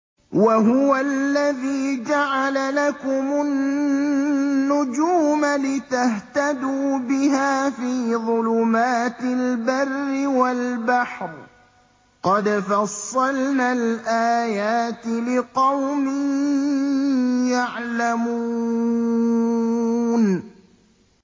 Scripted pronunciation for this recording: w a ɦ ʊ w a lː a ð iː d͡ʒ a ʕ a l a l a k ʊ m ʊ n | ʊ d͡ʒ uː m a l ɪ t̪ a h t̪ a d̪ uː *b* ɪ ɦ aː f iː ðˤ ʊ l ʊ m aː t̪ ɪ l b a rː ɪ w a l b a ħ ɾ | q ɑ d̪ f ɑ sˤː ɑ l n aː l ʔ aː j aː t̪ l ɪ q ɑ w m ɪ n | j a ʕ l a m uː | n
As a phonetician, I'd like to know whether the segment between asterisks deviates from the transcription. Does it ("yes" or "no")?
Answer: no